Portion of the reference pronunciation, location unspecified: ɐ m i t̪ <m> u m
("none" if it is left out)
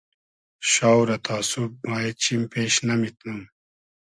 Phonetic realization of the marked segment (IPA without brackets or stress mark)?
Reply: n